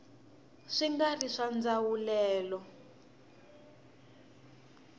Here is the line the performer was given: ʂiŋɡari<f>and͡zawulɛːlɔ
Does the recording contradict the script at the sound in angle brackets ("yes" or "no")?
yes